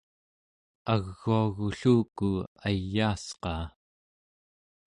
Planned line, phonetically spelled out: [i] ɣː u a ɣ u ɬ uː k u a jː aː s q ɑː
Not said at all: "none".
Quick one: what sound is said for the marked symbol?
a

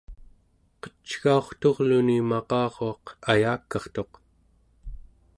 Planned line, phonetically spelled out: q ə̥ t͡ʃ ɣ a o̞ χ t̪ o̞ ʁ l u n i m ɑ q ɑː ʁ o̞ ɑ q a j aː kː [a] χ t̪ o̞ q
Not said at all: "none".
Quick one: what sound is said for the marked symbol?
ɑ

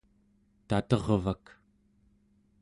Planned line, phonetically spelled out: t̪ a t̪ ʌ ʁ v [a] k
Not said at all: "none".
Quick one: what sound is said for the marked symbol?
a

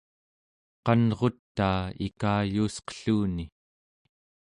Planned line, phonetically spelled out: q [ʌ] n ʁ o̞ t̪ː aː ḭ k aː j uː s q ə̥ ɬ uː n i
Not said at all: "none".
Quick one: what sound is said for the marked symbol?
ɑ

